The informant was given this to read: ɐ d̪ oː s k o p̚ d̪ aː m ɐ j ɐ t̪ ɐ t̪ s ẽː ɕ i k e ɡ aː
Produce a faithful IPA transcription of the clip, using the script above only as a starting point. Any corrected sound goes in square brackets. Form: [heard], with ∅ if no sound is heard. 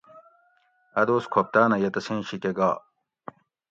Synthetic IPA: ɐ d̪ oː s [kʰ] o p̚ [t̪] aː [n] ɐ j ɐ t̪ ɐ [∅] s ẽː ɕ i k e ɡ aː